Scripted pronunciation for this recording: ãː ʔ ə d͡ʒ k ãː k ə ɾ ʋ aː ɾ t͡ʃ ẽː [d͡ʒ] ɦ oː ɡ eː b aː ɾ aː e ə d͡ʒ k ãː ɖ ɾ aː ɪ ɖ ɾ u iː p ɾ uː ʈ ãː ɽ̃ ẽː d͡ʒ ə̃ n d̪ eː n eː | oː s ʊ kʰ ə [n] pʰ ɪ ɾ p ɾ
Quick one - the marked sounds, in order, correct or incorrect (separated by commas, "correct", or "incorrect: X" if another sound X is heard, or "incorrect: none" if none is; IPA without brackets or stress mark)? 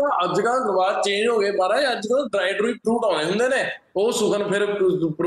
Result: correct, correct